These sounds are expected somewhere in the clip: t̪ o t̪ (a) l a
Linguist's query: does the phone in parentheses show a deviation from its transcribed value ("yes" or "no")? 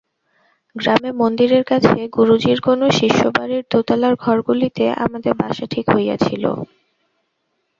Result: no